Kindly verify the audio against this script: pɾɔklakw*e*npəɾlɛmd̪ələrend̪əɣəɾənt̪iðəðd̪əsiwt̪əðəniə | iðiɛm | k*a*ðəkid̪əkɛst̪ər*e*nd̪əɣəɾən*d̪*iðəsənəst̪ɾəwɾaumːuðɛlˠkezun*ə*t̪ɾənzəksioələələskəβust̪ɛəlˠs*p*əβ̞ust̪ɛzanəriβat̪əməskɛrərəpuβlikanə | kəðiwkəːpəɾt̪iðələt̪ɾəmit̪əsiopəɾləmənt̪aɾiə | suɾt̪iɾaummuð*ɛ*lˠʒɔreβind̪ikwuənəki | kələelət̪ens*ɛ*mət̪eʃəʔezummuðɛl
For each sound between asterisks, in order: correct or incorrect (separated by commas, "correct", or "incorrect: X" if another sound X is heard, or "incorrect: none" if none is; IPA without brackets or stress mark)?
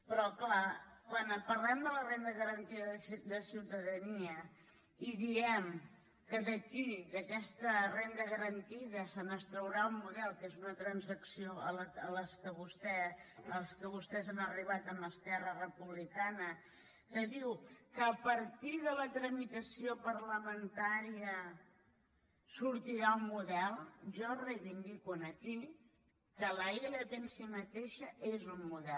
incorrect: a, incorrect: ə, correct, incorrect: t̪, correct, incorrect: k, correct, incorrect: i